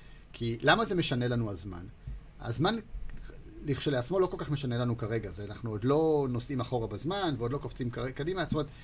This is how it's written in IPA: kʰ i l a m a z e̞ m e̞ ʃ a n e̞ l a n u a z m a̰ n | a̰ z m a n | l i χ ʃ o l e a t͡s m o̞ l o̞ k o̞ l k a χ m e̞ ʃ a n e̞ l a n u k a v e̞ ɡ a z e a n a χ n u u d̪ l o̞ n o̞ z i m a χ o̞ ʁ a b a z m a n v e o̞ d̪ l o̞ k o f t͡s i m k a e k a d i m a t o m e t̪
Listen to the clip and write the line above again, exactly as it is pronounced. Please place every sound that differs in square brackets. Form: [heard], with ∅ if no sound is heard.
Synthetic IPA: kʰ i l a m a z e̞ m e̞ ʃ a n e̞ l a n u a z m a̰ n | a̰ z m a n | l i χ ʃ o l e a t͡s m o̞ l o̞ k o̞ l k a χ m e̞ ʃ a n e̞ l a n u k a [ʁ] e̞ ɡ a z e a n a χ n u [o] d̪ l o̞ n o̞ [s] i m a χ o̞ ʁ a b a z m a n v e o̞ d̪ l o̞ k o f t͡s i m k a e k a d i m a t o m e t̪